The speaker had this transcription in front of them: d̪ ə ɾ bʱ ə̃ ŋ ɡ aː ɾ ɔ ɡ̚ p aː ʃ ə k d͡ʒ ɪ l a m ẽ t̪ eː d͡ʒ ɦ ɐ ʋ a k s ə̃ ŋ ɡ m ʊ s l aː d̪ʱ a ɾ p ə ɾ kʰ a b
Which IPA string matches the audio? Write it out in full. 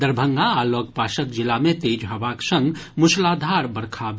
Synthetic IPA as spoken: d̪ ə ɾ bʱ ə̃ ŋ ɡ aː l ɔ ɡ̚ p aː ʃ ə k d͡ʒ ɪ l a m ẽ t̪ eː d͡ʒ ɦ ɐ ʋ a k s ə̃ ŋ ɡ m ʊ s l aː d̪ʱ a ɾ b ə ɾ kʰ a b